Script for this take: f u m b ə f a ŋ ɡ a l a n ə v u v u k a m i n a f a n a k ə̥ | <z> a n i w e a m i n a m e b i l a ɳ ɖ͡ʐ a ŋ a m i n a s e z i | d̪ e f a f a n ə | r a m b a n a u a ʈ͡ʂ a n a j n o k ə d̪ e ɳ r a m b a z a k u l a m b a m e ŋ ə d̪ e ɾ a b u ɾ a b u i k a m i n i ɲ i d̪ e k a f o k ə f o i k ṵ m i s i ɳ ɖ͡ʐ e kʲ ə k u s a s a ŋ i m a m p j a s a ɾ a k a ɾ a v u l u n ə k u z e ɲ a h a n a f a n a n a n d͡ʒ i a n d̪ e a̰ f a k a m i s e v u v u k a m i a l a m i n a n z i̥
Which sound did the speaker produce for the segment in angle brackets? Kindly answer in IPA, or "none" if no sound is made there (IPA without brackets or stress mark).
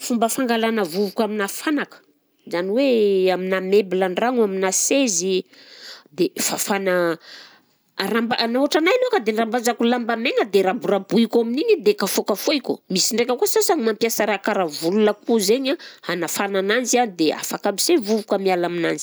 z